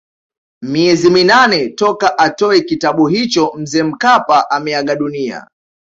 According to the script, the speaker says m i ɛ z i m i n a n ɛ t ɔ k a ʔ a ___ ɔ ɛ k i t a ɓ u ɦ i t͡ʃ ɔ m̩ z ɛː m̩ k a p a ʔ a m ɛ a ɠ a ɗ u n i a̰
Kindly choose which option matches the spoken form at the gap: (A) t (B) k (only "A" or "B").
A